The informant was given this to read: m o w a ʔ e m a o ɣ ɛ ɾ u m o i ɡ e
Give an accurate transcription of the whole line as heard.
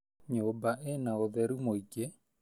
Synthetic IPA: ɲ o b a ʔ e n a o ð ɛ ɾ u m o i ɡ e